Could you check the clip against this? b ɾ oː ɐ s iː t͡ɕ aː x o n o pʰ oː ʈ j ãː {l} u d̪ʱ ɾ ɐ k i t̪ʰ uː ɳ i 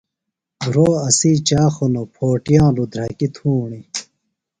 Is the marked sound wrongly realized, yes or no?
no